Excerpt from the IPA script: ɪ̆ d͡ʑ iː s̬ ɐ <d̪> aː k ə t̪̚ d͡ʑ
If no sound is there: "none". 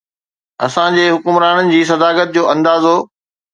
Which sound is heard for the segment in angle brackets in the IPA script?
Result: d̪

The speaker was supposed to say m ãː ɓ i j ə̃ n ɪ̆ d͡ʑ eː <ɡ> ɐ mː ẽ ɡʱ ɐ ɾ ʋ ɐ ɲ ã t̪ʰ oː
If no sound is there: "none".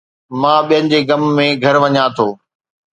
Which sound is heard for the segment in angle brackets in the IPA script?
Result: ɡ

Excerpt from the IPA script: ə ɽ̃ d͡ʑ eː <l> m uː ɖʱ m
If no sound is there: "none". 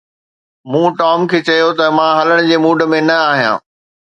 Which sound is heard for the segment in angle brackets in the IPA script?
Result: none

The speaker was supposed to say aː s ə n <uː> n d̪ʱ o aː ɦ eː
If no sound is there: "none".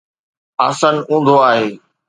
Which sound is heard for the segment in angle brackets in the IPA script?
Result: ũː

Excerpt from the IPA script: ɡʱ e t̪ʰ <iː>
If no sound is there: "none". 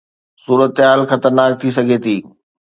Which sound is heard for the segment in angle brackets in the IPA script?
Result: iː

